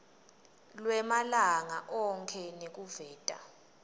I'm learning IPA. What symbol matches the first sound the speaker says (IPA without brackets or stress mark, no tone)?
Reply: l